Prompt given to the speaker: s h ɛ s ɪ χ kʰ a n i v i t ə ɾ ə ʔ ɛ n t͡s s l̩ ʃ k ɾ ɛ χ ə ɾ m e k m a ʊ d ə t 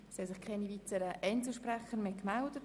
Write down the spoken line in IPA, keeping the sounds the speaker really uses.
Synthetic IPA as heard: s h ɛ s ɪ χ kʰ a n i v i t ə ɾ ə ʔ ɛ n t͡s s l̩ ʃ p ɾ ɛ χ ə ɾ m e k m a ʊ d ə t